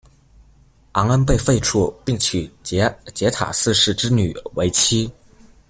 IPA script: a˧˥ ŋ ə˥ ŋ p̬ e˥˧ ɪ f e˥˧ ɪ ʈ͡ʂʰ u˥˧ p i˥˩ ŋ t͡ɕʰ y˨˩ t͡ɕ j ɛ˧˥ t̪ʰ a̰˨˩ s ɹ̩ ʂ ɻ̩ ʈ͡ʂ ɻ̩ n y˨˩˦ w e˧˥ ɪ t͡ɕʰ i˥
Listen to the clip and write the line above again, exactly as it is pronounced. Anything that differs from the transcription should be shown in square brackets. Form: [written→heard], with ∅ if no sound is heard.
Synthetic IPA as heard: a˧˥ ŋ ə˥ [ŋ→n] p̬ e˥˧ ɪ f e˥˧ ɪ ʈ͡ʂʰ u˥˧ p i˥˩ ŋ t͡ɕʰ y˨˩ t͡ɕ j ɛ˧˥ t̪ʰ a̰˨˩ s ɹ̩ ʂ ɻ̩ ʈ͡ʂ ɻ̩ n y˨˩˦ w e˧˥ ɪ t͡ɕʰ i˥